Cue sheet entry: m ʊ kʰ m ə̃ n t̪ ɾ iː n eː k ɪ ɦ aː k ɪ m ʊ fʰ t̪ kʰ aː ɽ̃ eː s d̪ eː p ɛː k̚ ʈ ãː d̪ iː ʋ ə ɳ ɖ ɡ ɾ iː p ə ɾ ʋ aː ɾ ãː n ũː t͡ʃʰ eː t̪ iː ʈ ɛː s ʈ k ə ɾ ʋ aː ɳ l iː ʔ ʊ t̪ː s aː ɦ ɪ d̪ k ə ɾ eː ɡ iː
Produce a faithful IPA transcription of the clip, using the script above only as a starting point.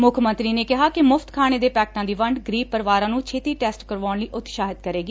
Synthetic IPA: m ʊ kʰ m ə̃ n t̪ ɾ iː n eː k ɪ ɦ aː k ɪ m ʊ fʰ t̪ kʰ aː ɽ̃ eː d̪ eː p ɛː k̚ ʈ ãː d̪ iː ʋ ə ɳ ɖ ɡ ɾ iː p ə ɾ ʋ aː ɾ ãː n ũː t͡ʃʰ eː t̪ iː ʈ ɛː s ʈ k ə ɾ ʋ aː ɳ l iː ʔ ʊ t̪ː ʃ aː ɦ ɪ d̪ k ə ɾ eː ɡ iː